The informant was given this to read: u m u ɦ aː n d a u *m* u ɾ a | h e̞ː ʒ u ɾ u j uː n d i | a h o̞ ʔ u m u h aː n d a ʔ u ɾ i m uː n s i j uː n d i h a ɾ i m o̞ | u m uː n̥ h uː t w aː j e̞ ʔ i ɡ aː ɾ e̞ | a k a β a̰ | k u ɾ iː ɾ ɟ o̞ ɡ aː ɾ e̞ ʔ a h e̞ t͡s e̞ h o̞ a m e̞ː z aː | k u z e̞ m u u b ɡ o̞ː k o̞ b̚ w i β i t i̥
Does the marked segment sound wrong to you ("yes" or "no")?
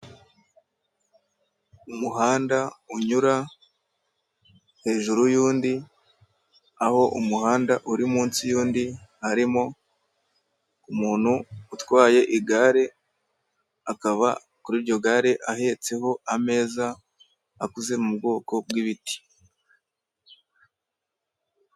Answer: yes